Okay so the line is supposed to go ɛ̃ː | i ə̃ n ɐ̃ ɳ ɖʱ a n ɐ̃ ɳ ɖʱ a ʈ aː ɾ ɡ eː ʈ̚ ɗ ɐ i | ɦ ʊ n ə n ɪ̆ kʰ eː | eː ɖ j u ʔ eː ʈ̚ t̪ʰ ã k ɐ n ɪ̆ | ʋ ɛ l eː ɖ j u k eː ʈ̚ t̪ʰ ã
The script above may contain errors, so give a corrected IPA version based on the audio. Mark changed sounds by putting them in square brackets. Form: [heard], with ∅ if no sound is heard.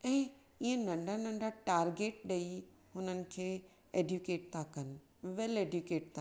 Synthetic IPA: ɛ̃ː | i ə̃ n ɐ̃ ɳ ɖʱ a n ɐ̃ ɳ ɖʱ a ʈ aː ɾ ɡ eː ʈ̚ ɗ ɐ i | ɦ ʊ n ə n ɪ̆ kʰ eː | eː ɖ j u [k] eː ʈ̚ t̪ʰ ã k ɐ n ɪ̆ | ʋ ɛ l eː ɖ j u k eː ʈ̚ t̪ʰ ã